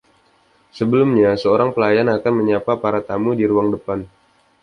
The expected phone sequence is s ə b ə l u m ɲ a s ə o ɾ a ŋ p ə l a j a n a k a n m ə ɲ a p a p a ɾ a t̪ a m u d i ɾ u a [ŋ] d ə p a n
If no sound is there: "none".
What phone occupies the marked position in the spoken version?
ŋ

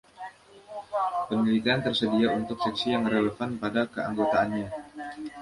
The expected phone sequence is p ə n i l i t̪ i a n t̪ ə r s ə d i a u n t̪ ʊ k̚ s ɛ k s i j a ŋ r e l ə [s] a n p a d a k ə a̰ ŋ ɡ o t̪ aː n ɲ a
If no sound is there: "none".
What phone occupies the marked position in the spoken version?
f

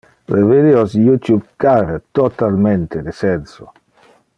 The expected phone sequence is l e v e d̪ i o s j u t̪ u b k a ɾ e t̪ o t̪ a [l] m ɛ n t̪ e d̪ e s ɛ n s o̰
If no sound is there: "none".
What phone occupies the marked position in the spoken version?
l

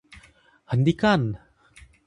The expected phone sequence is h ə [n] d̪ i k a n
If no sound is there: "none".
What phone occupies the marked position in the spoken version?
n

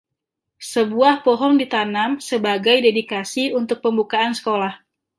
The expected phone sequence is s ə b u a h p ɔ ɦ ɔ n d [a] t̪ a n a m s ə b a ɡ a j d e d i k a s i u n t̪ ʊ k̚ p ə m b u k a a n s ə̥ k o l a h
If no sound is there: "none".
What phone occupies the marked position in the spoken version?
i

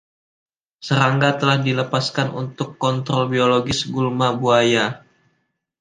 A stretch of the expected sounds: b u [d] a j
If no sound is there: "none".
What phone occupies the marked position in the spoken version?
none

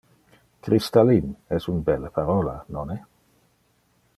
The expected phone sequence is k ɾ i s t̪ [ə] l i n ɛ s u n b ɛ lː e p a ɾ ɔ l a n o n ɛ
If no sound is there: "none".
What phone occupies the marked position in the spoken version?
a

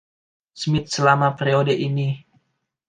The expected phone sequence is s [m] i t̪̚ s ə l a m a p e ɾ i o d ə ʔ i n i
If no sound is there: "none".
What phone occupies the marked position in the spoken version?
m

